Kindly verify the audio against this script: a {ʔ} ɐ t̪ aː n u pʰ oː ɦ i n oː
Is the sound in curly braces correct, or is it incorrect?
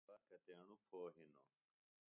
incorrect